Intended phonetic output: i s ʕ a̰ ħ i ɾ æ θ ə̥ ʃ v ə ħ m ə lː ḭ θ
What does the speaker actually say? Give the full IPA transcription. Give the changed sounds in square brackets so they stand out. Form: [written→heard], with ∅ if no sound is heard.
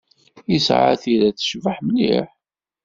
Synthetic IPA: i s ʕ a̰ [ħ→θ] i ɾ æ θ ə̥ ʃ v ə ħ m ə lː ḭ [θ→ħ]